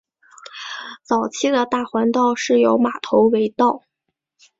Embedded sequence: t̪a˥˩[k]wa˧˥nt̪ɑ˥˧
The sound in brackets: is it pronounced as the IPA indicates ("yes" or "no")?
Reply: no